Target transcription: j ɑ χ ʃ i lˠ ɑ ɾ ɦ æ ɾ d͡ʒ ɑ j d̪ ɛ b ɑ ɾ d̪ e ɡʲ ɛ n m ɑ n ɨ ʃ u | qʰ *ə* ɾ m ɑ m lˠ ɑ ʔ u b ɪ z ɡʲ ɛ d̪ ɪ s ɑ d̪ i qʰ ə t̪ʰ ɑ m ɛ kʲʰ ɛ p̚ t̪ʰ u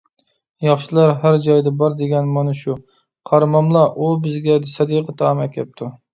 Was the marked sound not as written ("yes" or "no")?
yes